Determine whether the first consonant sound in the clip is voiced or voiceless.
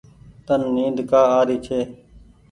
voiceless